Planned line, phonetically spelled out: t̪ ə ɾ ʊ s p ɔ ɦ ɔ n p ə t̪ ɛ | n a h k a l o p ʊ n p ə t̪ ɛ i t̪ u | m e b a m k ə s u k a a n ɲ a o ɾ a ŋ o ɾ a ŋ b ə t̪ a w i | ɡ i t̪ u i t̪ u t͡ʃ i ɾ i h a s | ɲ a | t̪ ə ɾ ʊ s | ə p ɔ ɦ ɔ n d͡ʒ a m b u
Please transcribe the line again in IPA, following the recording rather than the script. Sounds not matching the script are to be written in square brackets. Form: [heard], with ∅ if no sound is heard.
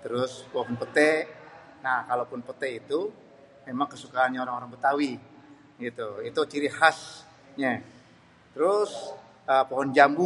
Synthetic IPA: t̪ ə ɾ ʊ s p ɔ ɦ ɔ n p ə t̪ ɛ | n a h k a l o p ʊ n p ə t̪ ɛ i t̪ u | m e [m] a [ŋ] k ə s u k a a n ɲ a o ɾ a ŋ o ɾ a ŋ b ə t̪ a w i | ɡ i t̪ u i t̪ u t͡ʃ i ɾ i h a s | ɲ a | t̪ ə ɾ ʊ s | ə p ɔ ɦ ɔ n d͡ʒ a m b u

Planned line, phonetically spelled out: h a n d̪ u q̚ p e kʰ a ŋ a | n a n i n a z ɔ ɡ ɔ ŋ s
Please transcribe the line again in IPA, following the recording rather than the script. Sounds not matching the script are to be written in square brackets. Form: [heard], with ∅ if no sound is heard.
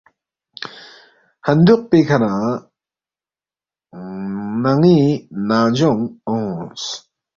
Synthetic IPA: h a n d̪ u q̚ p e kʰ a [n] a | n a [ŋ] i n a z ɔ [ŋ] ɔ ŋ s

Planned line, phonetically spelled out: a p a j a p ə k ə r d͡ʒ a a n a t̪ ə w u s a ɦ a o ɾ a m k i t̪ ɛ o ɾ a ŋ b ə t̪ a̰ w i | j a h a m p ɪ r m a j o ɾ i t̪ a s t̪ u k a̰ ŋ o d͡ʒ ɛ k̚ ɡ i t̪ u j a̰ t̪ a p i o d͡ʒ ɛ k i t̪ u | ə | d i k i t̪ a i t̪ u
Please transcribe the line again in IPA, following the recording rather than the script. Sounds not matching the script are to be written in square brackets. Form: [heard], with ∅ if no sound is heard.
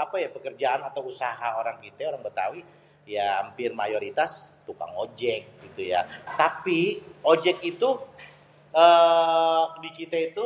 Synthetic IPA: a p a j a p ə k ə r d͡ʒ a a n a t̪ [a] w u s a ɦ a o ɾ a [ŋ] k i t̪ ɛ o ɾ a ŋ b ə t̪ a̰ w i | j a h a m p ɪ r m a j o ɾ i t̪ a s t̪ u k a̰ ŋ o d͡ʒ ɛ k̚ ɡ i t̪ u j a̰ t̪ a p i o d͡ʒ ɛ k i t̪ u | ə | d i k i t̪ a i t̪ u

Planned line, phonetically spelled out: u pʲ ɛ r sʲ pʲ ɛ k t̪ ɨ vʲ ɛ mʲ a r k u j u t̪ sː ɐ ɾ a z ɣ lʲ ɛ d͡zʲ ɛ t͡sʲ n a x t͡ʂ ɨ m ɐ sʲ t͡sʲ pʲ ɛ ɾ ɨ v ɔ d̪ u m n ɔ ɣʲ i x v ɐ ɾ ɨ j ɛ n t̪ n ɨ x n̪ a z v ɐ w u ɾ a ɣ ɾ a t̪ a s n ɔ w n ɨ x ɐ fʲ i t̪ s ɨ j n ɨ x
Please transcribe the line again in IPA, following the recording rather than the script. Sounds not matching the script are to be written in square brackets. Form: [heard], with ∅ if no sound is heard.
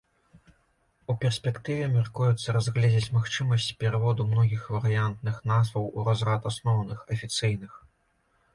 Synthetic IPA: u pʲ ɛ r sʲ pʲ ɛ k t̪ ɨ vʲ ɛ mʲ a r k u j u t̪ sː ɐ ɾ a z ɣ lʲ ɛ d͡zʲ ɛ t͡sʲ [m] a x t͡ʂ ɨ m ɐ sʲ t͡sʲ pʲ ɛ ɾ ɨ v ɔ d̪ u m n ɔ ɣʲ i x v ɐ ɾ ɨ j [a] n t̪ n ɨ x n̪ a z v ɐ w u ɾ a [z] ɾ a t̪ a s n ɔ w n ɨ x ɐ fʲ i t̪ s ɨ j n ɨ x

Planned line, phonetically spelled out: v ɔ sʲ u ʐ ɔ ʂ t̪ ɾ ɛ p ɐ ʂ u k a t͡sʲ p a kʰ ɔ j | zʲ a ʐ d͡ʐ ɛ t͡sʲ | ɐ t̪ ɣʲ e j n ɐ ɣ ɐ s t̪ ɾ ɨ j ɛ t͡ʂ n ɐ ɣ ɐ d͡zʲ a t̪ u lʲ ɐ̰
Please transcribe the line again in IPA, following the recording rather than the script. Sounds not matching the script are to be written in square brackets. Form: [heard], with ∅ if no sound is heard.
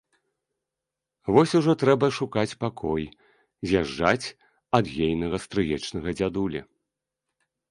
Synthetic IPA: v ɔ sʲ u ʐ ɔ [∅] t̪ ɾ ɛ [b] ɐ ʂ u k a t͡sʲ p a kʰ ɔ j | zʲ a ʐ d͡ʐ [a] t͡sʲ | ɐ [d̪] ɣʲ e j n ɐ ɣ ɐ s t̪ ɾ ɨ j ɛ t͡ʂ n ɐ ɣ ɐ d͡zʲ a [d̪] u lʲ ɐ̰

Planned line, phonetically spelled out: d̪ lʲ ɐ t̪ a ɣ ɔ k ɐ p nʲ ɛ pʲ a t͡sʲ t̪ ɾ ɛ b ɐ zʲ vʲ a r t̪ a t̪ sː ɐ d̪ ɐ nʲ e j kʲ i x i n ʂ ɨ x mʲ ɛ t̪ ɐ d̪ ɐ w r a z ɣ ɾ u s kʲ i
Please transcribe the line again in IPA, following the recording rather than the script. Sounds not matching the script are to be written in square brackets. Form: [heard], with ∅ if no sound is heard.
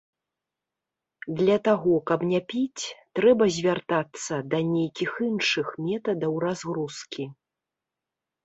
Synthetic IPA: d̪ lʲ ɐ t̪ a ɣ ɔ k ɐ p nʲ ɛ pʲ [i] t͡sʲ t̪ ɾ ɛ b ɐ zʲ vʲ a r t̪ a t̪ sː ɐ d̪ ɐ nʲ e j kʲ i x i n ʂ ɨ x mʲ ɛ t̪ ɐ d̪ ɐ w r a z ɣ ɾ u s kʲ i

